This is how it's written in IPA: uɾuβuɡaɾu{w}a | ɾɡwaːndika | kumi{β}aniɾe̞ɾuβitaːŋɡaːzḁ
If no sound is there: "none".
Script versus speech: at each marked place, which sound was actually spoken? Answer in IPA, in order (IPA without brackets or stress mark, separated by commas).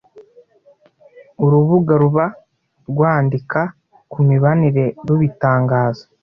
β, β